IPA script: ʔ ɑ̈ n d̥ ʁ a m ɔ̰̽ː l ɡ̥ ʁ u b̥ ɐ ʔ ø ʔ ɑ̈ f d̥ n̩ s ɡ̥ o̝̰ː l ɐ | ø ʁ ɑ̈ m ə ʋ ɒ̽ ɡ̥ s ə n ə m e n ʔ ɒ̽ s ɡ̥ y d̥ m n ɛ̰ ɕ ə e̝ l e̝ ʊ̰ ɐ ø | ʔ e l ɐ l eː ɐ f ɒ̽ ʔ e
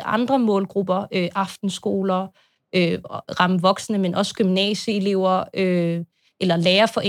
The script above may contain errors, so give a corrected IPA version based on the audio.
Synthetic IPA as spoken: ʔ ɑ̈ n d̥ ʁ ɐ m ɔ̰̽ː l ɡ̥ ʁ u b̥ ɐ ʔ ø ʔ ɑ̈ f d̥ n̩ s ɡ̥ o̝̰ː l ɐ | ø ʁ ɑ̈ m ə ʋ ɒ̽ ɡ̥ s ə n ə m e n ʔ ɒ̽ s ɡ̥ y m n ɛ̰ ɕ ə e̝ l e̝ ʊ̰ ɐ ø | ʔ e l ɐ l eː ɐ f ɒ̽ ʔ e